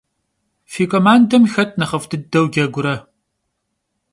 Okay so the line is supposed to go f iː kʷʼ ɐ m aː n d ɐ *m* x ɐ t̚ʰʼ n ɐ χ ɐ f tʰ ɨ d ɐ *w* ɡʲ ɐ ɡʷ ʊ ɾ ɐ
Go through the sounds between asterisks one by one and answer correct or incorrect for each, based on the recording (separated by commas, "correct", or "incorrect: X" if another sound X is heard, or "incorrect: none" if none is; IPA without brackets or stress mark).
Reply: correct, correct